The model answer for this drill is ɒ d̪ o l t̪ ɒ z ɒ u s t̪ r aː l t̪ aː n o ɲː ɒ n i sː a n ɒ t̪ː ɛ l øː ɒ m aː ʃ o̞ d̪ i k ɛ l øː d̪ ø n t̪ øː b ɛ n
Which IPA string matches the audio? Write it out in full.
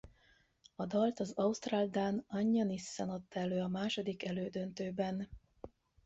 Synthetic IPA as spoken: ɒ d̪ ɒ l t̪ ɒ z ɒ u s t̪ r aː l d̪ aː n ɒ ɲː ɒ n i sː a n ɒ t̪ː ɛ l øː ɒ m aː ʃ o̞ d̪ i k ɛ l øː d̪ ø n t̪ øː b ɛ n